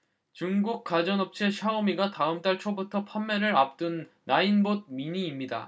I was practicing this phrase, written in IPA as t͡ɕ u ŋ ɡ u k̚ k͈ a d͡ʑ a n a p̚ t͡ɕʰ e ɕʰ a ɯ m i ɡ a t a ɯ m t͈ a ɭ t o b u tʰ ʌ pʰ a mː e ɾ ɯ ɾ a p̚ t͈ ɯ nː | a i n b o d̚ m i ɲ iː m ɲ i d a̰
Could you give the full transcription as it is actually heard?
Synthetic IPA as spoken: t͡ɕ u ŋ ɡ u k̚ k͈ a d͡ʑ ʌ n ʌ p̚ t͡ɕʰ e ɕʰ a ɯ m i ɡ a t a ɯ m t͈ a ɭ t͡ɕʰ o b u tʰ ʌ pʰ a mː e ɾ ɯ ɾ a p̚ t͈ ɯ nː | a i n b o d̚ m i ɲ iː m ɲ i d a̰